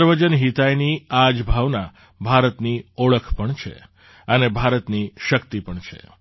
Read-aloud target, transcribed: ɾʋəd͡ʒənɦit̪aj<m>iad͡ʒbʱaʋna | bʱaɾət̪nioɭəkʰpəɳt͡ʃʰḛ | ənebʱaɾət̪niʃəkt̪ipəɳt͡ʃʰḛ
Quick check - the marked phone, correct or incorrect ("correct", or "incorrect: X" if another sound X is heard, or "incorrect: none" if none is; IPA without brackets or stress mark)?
incorrect: n